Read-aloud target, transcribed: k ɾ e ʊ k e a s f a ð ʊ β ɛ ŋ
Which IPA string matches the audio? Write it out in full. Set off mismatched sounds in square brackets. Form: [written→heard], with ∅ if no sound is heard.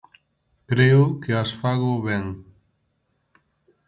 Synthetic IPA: k ɾ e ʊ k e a s f a [ð→ɣ] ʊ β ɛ ŋ